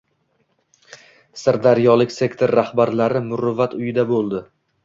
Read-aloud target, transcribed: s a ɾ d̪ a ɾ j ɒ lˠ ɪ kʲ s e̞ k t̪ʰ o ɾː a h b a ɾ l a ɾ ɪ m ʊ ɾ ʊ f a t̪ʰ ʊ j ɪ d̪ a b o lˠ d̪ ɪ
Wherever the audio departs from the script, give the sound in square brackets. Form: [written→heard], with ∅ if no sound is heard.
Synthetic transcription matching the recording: s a ɾ d̪ a ɾ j ɒ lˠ ɪ kʲ s e̞ k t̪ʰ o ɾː a h b a ɾ l a ɾ ɪ m ʊ ɾ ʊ [f→v] a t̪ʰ ʊ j ɪ d̪ a b o lˠ d̪ ɪ